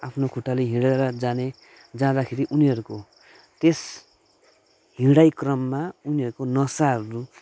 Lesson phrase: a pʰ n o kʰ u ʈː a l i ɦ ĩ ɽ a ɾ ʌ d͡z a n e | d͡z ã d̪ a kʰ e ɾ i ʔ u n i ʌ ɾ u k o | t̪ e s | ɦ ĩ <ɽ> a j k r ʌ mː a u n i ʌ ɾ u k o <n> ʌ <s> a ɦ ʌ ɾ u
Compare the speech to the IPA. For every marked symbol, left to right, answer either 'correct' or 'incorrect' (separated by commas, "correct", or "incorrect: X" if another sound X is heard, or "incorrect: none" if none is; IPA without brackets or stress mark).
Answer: correct, correct, correct